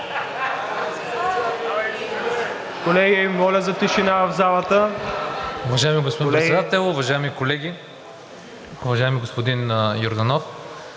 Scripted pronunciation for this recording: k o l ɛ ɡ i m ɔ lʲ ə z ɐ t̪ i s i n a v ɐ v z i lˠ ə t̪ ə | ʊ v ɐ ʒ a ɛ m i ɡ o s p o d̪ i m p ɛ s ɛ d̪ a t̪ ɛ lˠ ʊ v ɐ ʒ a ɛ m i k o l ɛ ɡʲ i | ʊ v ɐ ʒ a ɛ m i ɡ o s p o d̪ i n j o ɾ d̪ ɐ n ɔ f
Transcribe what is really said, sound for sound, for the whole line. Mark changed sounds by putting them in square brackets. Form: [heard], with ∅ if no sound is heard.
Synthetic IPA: k o l ɛ ɡ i m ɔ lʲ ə z ɐ t̪ i [ʃ] i n a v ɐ v z [a] lˠ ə t̪ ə | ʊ v ɐ ʒ a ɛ m i ɡ o s p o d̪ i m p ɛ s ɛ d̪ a t̪ ɛ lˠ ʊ v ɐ ʒ a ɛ m i k o l ɛ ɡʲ i | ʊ v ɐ ʒ a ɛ m i ɡ o s p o d̪ i n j o ɾ d̪ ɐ n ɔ f

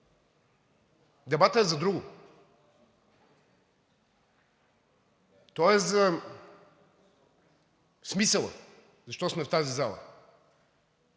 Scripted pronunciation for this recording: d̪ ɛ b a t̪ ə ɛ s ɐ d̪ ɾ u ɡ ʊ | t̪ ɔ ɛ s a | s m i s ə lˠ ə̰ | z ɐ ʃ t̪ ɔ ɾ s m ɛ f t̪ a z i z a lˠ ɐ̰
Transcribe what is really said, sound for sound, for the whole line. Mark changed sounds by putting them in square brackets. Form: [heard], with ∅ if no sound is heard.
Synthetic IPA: d̪ ɛ b a t̪ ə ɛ [z] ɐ d̪ ɾ u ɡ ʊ | t̪ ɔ ɛ [z] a | s m i s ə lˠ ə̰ | z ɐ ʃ t̪ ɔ [∅] s m ɛ f t̪ a z i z a lˠ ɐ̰

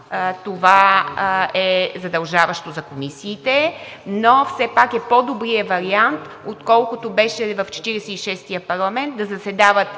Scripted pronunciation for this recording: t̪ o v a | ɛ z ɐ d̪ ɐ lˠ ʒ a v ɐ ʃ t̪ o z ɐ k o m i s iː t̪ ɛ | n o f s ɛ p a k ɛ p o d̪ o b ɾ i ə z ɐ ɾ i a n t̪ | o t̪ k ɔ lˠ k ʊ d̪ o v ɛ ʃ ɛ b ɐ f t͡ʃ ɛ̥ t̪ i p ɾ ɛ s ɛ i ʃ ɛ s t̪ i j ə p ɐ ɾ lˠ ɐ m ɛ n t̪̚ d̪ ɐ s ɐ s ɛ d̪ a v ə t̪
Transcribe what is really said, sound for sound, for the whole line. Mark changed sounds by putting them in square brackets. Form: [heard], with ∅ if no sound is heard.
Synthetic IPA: t̪ o v a | ɛ z ɐ d̪ ɐ lˠ ʒ a v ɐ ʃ t̪ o z ɐ k o m i s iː t̪ ɛ | n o f s ɛ p a k ɛ p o d̪ o b ɾ i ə [v] ɐ ɾ i a n t̪ | o t̪ k ɔ lˠ k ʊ [t̪] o [b] ɛ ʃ ɛ [v] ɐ f t͡ʃ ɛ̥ t̪ i [∅] ɾ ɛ s ɛ i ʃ ɛ s t̪ i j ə p ɐ ɾ lˠ ɐ m ɛ n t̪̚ d̪ ɐ [z] ɐ s ɛ d̪ a v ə t̪

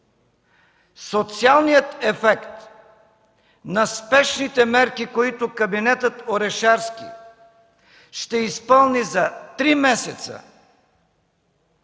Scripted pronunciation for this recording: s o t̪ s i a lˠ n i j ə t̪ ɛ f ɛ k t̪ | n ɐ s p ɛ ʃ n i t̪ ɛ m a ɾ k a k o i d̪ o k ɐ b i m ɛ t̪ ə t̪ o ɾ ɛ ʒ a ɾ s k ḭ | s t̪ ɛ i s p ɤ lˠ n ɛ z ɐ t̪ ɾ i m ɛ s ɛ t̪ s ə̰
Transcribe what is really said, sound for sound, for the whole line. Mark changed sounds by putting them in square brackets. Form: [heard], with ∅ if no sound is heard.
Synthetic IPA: s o t̪ s i a lˠ n i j ə t̪ ɛ f ɛ k t̪ | n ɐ s p ɛ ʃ n i t̪ ɛ m [ɛ] ɾ k [i] k o i [t̪] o k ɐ b i [n] ɛ t̪ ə t̪ o ɾ ɛ [ʃ] a ɾ s k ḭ | [ʃ] t̪ ɛ i s p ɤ lˠ n [i] z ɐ t̪ ɾ i m ɛ s ɛ t̪ s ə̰

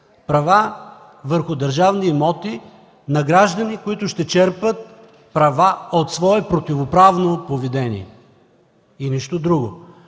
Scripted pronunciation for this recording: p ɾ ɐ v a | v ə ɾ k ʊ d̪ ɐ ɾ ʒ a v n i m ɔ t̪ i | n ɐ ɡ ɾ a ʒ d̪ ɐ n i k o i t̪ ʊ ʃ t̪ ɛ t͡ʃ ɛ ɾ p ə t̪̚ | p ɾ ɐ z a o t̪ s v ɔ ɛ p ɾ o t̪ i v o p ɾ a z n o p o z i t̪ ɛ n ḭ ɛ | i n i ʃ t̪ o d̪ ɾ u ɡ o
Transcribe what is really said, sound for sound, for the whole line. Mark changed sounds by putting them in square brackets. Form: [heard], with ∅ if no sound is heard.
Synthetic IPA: p ɾ ɐ v a | v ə ɾ [x] ʊ d̪ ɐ ɾ ʒ a v n i m ɔ t̪ i | n ɐ ɡ ɾ a ʒ d̪ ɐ n i k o i t̪ ʊ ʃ t̪ ɛ t͡ʃ ɛ ɾ p ə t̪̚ | p ɾ ɐ [v] a o t̪ s v ɔ ɛ p ɾ o t̪ i v o p ɾ a [v] n o p o [v] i [d̪] ɛ n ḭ ɛ | i n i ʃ t̪ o d̪ ɾ u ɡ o

